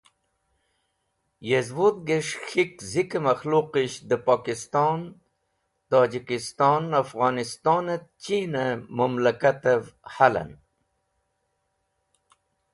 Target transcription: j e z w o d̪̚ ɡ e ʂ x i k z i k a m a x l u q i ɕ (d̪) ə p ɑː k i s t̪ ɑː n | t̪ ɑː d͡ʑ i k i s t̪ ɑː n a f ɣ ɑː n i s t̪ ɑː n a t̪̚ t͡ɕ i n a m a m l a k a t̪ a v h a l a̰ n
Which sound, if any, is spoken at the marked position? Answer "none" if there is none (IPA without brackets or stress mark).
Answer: d̪